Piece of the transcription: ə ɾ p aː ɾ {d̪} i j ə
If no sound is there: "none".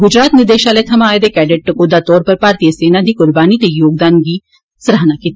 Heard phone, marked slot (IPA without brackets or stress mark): t̪